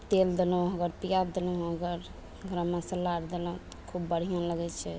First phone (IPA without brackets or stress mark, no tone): t̪